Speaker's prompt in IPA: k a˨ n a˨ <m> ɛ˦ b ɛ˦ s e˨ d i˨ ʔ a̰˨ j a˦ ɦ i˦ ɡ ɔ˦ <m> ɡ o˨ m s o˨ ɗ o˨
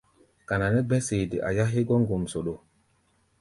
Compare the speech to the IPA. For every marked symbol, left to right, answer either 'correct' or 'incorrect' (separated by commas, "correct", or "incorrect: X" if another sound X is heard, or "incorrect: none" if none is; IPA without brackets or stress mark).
incorrect: n, incorrect: ŋ